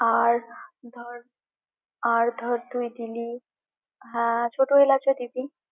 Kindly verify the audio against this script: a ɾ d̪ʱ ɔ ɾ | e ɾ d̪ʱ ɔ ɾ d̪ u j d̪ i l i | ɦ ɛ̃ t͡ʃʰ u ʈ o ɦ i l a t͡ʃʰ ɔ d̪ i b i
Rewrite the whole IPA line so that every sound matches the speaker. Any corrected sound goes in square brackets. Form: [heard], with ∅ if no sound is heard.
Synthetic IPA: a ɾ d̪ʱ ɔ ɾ | [a] ɾ d̪ʱ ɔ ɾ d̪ u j d̪ i l i | ɦ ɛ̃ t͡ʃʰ [o] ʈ o ɦ [e] l a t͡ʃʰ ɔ d̪ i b i

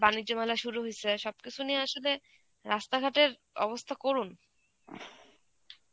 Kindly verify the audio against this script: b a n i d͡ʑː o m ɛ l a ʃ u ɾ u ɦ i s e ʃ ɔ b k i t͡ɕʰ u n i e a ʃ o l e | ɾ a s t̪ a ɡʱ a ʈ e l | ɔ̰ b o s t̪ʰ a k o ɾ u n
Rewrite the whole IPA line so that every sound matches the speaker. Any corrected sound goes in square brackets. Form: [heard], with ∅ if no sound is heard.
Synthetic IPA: b a n i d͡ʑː o m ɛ l a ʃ u ɾ u ɦ i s e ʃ ɔ b k i t͡ɕʰ u n i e a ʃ o l e | ɾ a s t̪ a ɡʱ a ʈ e [ɾ] | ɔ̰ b o s t̪ʰ a k o ɾ u n

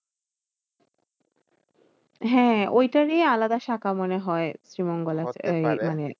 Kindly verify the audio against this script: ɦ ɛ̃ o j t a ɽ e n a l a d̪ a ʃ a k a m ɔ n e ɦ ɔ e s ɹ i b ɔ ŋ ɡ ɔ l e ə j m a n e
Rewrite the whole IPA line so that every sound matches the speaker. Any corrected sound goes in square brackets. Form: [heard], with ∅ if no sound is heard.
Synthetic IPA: ɦ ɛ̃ o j t a [ɹ] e [∅] a l a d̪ a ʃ a k a m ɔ n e ɦ ɔ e s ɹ i [m] ɔ ŋ ɡ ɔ l [a] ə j m a n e

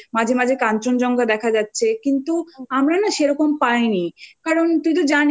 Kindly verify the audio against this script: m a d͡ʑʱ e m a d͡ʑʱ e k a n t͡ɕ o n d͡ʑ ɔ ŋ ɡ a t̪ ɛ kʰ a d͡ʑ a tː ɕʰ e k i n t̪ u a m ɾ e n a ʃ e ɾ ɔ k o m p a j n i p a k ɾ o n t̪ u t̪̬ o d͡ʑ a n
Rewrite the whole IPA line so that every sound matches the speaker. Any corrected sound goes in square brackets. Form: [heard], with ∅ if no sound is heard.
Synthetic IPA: m a d͡ʑʱ e m a d͡ʑʱ e k a n t͡ɕ o n d͡ʑ ɔ ŋ ɡ a [d̪] ɛ kʰ a d͡ʑ a tː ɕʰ e k i n t̪ u a m ɾ [a] n a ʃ e ɾ ɔ k o m p a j n i [k] a [∅] ɾ o n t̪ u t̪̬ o d͡ʑ a n

